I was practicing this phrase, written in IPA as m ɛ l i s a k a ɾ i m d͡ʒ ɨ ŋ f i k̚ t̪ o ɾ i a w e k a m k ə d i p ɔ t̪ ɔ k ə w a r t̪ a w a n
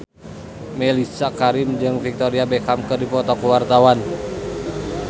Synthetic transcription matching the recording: m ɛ l i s a k a ɾ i m d͡ʒ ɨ ŋ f i k̚ t̪ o ɾ i a b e k a m k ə d i p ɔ t̪ ɔ k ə w a r t̪ a w a n